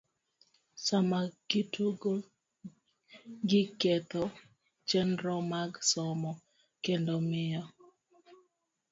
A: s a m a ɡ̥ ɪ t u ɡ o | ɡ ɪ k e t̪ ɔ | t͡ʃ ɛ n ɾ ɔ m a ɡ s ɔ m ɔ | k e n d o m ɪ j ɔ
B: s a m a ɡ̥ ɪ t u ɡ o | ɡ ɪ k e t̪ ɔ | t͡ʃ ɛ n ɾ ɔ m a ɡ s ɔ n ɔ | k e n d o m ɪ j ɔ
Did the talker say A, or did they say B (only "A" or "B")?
A